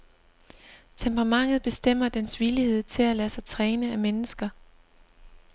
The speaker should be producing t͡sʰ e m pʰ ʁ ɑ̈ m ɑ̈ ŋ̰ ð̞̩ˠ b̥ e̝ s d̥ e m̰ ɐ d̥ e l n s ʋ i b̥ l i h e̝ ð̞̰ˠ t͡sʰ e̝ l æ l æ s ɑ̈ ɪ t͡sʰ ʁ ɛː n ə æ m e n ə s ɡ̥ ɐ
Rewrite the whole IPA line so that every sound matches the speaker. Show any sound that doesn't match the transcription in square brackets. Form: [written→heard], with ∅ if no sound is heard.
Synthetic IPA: t͡sʰ e m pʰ ʁ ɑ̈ m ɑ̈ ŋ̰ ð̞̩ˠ b̥ e̝ s d̥ e m̰ ɐ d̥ e [l→∅] n s ʋ i [b̥→∅] l i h e̝ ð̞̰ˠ t͡sʰ e̝ l æ l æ s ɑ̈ ɪ t͡sʰ ʁ ɛː n ə æ m e n ə s ɡ̥ ɐ